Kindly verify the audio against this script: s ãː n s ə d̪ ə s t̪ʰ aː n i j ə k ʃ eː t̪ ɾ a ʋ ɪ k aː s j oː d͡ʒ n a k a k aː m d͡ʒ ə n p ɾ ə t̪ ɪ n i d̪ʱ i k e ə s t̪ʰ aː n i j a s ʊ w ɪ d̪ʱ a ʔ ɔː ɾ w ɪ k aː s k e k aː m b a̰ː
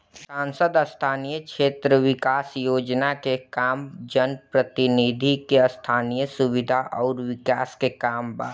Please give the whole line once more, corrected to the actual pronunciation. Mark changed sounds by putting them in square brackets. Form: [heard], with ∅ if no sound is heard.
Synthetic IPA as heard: s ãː n s ə d̪ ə s t̪ʰ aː n i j ə k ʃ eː t̪ ɾ [ə] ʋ ɪ k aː s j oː d͡ʒ n a k [e] k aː m d͡ʒ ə n p ɾ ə t̪ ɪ n i d̪ʱ i k e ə s t̪ʰ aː n i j [ə] s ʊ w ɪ d̪ʱ a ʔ ɔː ɾ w ɪ k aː s k e k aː m b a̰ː